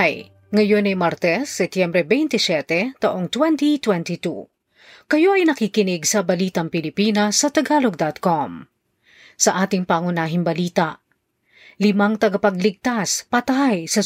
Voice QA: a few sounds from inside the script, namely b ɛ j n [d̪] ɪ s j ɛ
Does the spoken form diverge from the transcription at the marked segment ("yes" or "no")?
yes